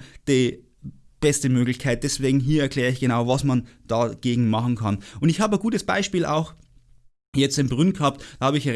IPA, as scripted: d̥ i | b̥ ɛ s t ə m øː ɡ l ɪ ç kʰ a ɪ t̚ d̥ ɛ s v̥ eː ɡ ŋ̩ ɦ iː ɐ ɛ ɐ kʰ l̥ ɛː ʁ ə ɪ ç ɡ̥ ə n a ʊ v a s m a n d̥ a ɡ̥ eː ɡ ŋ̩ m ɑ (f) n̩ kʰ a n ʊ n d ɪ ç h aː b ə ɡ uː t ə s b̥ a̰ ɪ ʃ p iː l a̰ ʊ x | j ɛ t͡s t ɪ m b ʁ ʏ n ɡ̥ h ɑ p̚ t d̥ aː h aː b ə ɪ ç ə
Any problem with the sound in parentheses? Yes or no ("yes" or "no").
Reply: yes